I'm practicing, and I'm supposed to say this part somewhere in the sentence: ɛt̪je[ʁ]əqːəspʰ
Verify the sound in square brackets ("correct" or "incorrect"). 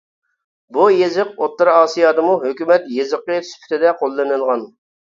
incorrect